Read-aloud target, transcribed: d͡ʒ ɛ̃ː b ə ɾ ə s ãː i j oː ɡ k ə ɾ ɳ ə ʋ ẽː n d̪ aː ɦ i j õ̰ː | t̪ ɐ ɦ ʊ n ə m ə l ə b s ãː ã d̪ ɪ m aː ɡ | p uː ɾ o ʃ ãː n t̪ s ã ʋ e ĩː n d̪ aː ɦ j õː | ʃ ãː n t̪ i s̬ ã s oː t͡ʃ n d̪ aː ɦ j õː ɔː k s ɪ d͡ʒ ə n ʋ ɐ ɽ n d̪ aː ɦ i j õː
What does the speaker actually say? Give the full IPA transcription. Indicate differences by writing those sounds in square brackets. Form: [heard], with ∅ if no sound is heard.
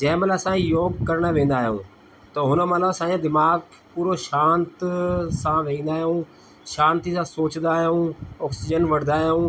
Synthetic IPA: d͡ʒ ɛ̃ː [m] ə [l] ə s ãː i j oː ɡ k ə ɾ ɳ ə ʋ ẽː n d̪ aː ɦ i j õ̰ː | t̪ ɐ ɦ ʊ n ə m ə l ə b s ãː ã d̪ ɪ m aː ɡ | p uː ɾ o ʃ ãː n t̪ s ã ʋ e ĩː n d̪ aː ɦ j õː | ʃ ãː n t̪ i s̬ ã s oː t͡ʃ n d̪ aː ɦ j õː ɔː k s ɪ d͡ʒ ə n ʋ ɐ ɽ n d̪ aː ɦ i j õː